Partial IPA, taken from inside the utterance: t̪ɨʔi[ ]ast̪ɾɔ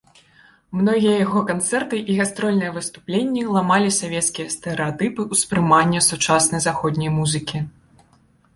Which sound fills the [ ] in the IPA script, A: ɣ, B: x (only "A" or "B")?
A